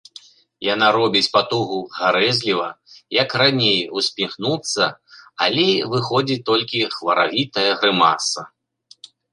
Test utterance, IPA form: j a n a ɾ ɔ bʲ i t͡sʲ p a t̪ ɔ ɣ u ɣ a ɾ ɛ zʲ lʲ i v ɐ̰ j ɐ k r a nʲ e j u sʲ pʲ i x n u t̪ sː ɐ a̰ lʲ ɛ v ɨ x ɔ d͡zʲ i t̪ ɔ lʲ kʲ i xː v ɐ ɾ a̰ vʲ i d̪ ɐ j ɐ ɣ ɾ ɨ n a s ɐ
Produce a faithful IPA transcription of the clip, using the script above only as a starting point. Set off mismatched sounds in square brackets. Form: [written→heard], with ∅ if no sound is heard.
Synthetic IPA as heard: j a n a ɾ ɔ bʲ i t͡sʲ p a t̪ [ɔ→u] ɣ u ɣ a ɾ ɛ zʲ lʲ i v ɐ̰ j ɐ k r a nʲ e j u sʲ pʲ i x n u t̪ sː ɐ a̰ lʲ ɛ v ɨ x ɔ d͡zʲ i t̪ ɔ lʲ kʲ i [xː→x] v ɐ ɾ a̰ vʲ i [d̪→t̪] ɐ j ɐ ɣ ɾ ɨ [n→m] a s ɐ